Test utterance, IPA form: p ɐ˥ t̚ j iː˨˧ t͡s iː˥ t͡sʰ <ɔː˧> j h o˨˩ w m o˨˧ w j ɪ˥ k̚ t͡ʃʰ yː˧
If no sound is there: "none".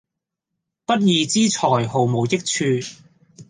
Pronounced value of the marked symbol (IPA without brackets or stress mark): ɔː˨˩